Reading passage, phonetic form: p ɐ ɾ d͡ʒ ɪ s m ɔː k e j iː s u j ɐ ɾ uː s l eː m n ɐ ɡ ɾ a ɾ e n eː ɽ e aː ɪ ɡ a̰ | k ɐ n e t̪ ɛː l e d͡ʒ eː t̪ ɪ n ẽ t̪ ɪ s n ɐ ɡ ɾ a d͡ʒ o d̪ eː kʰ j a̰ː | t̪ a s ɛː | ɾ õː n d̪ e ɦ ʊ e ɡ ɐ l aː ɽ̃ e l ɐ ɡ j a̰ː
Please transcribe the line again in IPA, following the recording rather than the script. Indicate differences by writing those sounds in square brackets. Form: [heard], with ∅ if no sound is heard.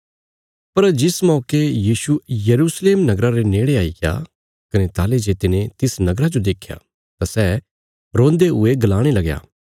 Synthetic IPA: p ɐ ɾ d͡ʒ ɪ s m ɔː k e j iː s u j ɐ ɾ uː s l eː m n ɐ ɡ ɾ a ɾ e n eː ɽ e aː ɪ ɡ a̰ | k ɐ n e t̪ [aː] l e d͡ʒ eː t̪ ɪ n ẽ t̪ ɪ s n ɐ ɡ ɾ a d͡ʒ o d̪ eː kʰ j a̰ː | t̪ a s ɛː | ɾ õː n d̪ e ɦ ʊ e ɡ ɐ l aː ɽ̃ e l ɐ ɡ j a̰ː